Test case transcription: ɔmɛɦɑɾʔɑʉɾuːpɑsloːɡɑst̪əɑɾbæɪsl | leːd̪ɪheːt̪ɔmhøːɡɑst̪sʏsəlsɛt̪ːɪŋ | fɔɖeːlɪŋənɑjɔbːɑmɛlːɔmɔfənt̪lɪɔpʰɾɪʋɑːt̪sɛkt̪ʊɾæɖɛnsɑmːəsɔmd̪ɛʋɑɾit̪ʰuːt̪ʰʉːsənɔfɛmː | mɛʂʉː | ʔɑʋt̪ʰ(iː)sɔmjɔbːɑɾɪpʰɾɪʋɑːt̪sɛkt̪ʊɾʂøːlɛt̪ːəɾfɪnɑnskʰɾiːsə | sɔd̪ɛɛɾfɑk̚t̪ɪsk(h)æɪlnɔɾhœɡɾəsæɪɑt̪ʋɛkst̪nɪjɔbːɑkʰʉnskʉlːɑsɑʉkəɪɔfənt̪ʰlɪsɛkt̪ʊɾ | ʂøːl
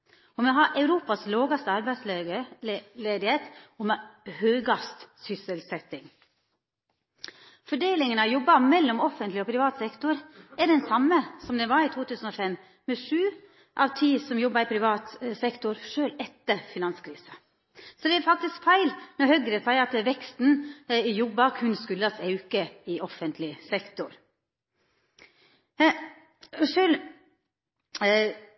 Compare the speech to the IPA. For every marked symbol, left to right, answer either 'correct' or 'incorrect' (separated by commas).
correct, incorrect